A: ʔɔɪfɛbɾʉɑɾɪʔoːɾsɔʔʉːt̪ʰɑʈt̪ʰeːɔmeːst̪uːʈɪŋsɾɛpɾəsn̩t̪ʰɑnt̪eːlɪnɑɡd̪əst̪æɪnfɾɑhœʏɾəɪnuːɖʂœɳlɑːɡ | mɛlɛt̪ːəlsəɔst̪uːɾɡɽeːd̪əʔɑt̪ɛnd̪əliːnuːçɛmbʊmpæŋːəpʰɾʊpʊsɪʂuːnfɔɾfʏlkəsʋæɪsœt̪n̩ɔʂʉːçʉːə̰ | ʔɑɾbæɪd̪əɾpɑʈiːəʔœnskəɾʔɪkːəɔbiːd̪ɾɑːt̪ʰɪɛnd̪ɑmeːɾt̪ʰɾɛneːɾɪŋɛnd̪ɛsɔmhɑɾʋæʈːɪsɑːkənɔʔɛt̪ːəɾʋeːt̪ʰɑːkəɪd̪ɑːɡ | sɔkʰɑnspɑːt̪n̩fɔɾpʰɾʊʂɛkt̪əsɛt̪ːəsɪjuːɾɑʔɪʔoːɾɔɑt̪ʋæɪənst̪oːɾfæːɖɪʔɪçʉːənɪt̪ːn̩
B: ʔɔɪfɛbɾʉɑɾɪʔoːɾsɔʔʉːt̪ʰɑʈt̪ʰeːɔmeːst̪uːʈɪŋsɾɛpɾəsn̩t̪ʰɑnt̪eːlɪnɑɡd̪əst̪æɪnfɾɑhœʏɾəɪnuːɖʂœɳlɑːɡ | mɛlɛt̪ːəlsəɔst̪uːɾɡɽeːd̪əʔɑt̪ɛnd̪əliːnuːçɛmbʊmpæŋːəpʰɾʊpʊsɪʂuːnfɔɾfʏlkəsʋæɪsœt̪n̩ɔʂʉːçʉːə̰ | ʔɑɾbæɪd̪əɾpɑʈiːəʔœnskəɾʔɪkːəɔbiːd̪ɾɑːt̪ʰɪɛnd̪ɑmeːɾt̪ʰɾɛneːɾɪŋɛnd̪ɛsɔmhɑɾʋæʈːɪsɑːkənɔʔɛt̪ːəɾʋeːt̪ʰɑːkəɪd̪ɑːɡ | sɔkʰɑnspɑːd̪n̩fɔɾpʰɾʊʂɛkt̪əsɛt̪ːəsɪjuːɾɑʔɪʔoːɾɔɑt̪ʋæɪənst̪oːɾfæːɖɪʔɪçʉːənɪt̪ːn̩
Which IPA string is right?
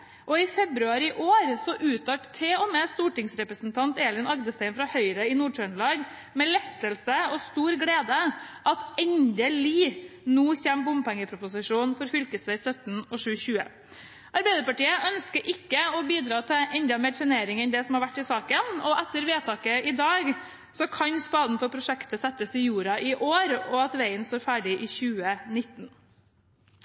B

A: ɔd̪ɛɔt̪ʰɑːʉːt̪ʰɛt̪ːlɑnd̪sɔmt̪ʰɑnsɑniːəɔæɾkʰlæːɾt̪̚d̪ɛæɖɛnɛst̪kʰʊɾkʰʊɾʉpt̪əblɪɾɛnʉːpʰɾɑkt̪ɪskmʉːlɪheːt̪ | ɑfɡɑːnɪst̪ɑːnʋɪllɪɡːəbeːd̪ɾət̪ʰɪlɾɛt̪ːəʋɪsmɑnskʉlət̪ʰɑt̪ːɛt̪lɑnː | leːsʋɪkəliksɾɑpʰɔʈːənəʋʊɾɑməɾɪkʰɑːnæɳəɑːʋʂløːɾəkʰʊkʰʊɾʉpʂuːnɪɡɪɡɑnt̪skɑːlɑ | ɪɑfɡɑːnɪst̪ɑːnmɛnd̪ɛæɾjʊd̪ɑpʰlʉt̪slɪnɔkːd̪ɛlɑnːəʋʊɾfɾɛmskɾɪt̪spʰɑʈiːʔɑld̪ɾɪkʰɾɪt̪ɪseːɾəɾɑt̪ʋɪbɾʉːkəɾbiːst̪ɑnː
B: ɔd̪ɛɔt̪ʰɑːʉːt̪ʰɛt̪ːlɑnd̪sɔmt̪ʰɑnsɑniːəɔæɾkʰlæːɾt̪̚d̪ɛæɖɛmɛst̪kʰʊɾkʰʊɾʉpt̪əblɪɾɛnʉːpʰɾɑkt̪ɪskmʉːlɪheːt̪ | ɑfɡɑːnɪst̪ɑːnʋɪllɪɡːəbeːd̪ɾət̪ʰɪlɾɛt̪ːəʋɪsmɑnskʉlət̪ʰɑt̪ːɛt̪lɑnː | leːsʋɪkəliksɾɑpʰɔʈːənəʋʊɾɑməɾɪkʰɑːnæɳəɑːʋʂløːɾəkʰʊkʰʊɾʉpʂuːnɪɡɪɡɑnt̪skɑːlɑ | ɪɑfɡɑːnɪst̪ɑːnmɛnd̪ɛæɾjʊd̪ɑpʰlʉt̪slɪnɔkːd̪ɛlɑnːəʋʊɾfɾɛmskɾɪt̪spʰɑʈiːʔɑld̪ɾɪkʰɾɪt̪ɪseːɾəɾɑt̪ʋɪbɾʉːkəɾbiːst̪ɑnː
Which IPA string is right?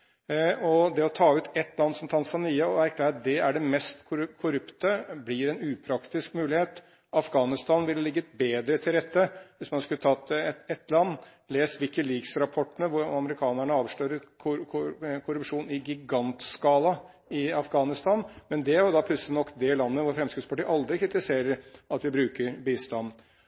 B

